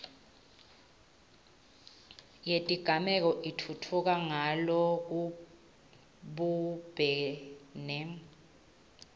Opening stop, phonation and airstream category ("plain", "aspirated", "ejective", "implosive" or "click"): ejective